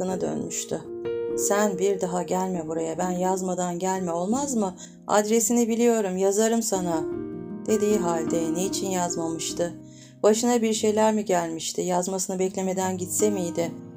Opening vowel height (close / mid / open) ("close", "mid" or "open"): close